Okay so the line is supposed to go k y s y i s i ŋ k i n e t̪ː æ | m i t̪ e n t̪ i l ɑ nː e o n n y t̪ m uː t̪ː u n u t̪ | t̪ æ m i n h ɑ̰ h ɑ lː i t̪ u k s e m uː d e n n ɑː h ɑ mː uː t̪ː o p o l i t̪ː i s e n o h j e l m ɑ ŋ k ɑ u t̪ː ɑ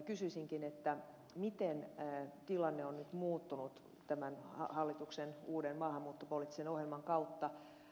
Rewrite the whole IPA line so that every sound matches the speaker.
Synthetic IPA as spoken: k y s y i s i ŋ k i n e t̪ː æ | m i t̪ e n t̪ i l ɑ nː e o n n y t̪ m uː t̪ː u n u t̪ | t̪ æ m æ n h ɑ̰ h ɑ lː i t̪ u k s e n uː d e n m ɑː h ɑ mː uː t̪ː o p o l i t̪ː i s e n o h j e l m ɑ ŋ k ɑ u t̪ː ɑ